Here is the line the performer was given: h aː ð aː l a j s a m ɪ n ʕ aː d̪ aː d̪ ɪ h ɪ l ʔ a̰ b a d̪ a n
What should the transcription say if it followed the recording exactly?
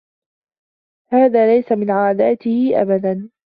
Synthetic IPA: h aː ð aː l a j s a m ɪ n ʕ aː d̪ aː t̪ ɪ h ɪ ʔ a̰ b a d̪ a n